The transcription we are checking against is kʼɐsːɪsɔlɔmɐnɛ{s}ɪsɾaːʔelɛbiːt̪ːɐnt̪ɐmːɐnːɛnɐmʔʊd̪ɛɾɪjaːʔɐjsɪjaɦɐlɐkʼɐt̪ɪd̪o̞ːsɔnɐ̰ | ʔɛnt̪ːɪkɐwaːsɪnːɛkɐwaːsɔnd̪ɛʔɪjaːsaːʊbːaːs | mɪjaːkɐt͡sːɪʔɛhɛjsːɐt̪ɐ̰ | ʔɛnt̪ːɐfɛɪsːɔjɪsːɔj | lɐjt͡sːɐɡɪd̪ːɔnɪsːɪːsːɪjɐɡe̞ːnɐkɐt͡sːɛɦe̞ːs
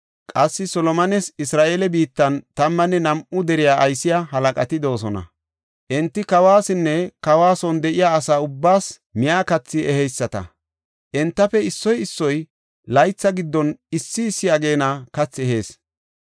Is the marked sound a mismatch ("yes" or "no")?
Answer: no